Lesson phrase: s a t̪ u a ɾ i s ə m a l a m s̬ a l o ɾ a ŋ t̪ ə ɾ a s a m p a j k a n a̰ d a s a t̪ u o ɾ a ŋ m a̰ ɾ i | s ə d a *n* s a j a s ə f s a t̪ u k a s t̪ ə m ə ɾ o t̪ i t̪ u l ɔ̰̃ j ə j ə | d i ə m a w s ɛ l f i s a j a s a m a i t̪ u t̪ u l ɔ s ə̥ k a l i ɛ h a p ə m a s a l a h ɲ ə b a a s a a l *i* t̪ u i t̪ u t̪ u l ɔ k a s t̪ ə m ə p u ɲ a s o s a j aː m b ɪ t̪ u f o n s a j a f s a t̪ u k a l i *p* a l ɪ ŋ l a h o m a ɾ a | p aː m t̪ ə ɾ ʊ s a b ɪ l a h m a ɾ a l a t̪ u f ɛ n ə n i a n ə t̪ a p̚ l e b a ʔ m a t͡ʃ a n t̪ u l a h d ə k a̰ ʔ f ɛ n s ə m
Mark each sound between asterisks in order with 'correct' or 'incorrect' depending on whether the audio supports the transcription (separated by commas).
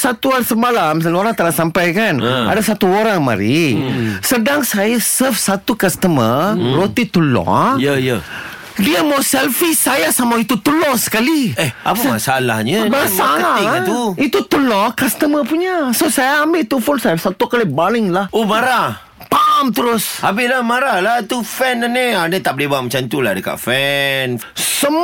incorrect, incorrect, incorrect